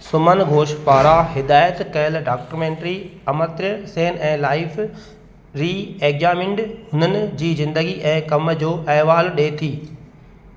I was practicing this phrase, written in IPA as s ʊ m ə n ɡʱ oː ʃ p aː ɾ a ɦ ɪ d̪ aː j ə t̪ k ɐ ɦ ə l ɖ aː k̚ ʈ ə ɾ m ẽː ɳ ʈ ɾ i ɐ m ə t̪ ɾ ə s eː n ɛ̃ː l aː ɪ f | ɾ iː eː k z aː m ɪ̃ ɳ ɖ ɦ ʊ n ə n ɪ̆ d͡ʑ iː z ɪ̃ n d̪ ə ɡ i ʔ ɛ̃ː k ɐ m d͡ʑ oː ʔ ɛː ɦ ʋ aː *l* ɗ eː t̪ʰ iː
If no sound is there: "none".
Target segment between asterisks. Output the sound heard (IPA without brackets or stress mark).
l